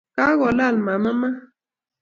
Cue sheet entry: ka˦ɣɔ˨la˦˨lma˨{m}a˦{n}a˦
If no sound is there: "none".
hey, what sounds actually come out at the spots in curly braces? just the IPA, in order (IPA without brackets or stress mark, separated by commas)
m, m